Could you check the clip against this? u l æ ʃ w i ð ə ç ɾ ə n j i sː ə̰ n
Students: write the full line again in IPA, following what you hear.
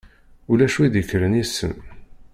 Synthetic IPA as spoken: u l æ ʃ w i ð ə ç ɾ ə n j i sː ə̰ n